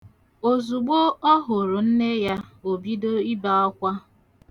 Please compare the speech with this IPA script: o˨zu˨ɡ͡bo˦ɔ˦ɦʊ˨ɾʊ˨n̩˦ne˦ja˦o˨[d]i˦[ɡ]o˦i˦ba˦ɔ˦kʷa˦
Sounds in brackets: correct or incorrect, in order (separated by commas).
incorrect, incorrect